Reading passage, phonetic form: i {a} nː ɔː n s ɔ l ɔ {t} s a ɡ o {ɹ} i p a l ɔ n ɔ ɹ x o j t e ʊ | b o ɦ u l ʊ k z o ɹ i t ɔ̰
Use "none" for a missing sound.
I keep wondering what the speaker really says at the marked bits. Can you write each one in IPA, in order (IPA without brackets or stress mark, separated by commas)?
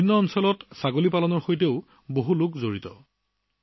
i, t, l